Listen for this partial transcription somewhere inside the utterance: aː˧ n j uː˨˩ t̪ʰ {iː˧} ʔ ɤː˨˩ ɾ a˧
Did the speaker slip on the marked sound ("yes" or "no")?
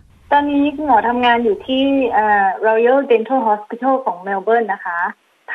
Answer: yes